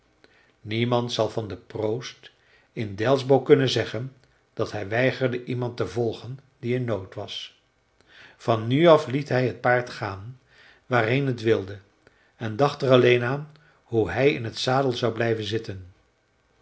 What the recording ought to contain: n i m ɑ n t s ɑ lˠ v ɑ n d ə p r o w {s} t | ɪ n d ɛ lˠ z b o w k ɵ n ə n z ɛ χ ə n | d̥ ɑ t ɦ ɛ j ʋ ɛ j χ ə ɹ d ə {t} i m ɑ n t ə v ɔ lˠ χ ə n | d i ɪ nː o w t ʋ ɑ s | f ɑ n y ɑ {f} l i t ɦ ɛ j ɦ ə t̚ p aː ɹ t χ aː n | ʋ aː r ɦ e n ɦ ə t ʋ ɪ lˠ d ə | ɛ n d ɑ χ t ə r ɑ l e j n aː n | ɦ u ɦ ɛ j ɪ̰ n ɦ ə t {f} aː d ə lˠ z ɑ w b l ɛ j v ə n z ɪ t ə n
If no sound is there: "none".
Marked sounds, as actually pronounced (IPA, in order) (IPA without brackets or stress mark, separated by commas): s, ʔ, f, s